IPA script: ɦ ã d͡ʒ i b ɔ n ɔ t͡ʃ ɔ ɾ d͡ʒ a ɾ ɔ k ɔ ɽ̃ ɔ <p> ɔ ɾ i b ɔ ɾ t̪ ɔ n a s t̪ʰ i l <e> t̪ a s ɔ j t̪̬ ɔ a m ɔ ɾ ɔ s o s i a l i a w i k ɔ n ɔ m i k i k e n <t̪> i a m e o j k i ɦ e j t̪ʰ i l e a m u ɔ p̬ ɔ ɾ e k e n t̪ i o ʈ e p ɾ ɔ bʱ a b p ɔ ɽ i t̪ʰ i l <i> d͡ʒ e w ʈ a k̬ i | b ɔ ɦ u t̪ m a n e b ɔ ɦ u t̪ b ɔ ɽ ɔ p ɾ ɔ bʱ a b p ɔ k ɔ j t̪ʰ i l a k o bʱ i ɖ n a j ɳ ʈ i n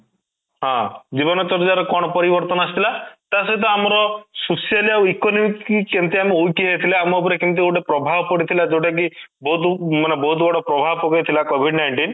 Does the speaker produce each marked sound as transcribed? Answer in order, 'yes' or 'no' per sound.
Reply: yes, no, yes, no

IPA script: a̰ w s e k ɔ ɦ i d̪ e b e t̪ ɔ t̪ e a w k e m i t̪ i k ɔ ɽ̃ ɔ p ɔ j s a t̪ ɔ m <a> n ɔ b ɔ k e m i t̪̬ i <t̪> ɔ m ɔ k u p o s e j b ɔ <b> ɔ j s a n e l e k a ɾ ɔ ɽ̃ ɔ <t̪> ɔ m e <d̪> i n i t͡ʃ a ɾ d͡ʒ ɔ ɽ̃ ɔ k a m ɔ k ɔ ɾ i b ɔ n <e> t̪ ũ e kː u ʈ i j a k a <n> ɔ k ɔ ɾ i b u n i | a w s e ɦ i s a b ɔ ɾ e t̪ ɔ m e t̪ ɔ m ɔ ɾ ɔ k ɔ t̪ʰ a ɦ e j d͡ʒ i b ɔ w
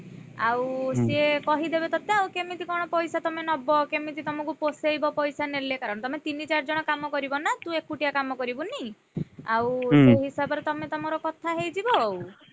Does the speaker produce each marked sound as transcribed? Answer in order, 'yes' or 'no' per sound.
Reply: no, yes, no, yes, no, no, no

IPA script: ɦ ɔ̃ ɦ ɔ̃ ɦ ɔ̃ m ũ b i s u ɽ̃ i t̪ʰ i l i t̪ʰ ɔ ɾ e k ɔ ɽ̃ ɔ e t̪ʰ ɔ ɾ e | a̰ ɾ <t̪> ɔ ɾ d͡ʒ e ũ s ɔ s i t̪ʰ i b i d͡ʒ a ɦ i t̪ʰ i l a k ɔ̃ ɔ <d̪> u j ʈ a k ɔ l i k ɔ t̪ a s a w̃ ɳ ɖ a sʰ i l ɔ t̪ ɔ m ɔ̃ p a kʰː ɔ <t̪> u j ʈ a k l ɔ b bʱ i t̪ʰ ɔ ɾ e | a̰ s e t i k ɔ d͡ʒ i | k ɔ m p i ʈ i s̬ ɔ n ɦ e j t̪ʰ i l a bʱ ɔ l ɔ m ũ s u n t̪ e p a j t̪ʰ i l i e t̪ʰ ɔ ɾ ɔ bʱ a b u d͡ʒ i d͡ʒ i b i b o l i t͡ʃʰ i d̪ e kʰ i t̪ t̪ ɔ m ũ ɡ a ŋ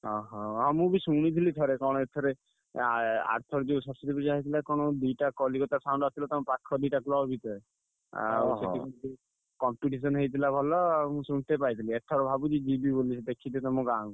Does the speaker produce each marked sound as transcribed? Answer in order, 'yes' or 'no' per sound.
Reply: no, yes, no

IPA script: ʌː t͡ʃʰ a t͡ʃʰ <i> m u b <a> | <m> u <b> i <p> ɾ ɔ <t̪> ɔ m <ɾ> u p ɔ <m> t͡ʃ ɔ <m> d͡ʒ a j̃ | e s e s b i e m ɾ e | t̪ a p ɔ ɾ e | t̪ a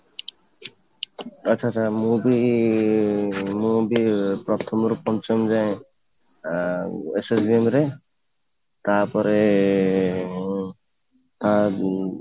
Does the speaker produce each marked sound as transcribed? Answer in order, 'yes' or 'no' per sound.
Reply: no, no, yes, yes, yes, no, yes, no, yes

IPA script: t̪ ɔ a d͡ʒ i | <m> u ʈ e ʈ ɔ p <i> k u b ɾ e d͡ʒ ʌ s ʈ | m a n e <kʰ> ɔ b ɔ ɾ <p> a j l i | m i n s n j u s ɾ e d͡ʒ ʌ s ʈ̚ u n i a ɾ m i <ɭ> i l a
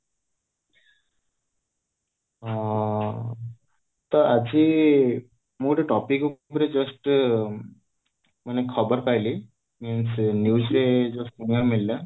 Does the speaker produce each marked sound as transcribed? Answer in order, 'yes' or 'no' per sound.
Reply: yes, yes, yes, yes, no

